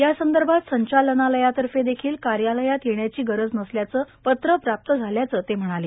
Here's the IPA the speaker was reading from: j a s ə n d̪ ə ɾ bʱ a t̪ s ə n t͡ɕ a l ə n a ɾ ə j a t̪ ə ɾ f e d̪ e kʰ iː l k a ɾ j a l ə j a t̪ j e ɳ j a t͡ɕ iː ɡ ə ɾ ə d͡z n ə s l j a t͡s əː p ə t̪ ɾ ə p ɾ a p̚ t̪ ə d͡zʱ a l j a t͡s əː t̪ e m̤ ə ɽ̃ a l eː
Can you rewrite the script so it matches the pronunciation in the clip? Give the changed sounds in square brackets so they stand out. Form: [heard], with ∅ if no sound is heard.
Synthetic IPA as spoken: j a s ə n d̪ ə ɾ bʱ a t̪ s ə [ɲ] t͡ɕ a l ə n a [l] ə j a t̪ ə ɾ f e d̪ e kʰ iː l k a ɾ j a l ə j a t̪ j e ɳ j a t͡ɕ iː ɡ ə ɾ ə d͡z n ə s l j a t͡s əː p ə t̪ ɾ ə p ɾ a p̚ t̪ ə d͡zʱ a l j a t͡s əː t̪ e m̤ ə ɽ̃ a l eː